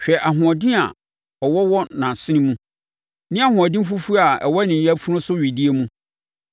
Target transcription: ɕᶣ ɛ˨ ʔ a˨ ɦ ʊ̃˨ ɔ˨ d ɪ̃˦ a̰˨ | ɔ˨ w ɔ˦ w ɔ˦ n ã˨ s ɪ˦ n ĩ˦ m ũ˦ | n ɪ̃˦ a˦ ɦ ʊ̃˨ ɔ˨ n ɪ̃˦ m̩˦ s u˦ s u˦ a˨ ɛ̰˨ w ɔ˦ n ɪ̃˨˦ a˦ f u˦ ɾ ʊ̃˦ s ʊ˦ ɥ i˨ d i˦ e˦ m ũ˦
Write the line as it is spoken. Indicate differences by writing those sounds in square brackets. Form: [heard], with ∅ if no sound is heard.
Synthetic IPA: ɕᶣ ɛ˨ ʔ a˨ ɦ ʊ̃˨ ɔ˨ d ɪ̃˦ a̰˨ | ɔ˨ w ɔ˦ w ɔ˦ n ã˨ s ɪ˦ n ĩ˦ m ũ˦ | n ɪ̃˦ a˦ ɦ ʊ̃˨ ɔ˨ [d] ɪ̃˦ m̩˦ [f] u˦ [f] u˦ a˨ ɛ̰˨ w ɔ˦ n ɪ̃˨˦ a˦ f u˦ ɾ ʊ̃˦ s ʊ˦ ɥ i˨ d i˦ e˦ m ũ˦